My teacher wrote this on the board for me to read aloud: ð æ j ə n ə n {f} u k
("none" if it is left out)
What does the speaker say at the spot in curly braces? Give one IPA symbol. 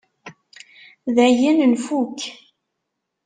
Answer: f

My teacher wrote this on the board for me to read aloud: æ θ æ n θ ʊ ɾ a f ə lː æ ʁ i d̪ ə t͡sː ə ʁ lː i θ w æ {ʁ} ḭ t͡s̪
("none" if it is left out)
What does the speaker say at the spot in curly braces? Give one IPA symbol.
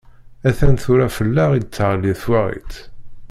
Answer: ʁ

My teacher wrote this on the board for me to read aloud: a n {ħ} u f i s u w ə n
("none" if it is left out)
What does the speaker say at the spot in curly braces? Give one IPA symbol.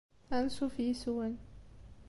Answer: s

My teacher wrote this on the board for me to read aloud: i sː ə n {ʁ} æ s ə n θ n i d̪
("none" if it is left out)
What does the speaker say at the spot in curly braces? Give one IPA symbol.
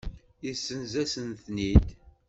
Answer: z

